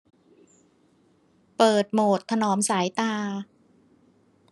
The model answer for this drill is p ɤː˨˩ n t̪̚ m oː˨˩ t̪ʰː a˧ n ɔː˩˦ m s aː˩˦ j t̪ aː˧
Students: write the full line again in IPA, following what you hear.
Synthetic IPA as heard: p ɤː˨˩ t̪̚ m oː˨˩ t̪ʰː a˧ n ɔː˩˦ m s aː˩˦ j t̪ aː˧